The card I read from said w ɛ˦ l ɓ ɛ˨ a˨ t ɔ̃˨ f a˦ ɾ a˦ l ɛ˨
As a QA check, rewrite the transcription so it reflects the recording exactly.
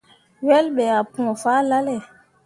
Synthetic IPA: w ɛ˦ l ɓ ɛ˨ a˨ p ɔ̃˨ f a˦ l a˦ l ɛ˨